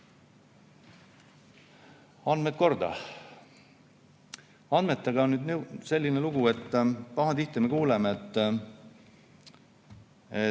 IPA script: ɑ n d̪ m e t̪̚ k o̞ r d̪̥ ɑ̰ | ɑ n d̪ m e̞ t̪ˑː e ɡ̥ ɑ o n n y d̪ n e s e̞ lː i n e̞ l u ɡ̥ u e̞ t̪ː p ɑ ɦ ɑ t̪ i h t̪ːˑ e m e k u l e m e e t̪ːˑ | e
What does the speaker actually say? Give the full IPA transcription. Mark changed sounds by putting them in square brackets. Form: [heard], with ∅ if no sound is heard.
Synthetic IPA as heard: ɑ n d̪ m e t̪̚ k o̞ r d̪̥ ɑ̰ | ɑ n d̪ m e̞ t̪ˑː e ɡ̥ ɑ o n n y d̪ n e s e̞ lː i n e̞ l u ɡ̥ u e̞ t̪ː p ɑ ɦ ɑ t̪ i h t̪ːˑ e m e k [uː] l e m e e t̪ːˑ | e